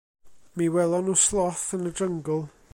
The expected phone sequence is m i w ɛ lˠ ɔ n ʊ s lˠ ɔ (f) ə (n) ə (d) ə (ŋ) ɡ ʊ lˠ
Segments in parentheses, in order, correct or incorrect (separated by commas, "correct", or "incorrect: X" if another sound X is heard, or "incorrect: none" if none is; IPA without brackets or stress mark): incorrect: θ, correct, correct, correct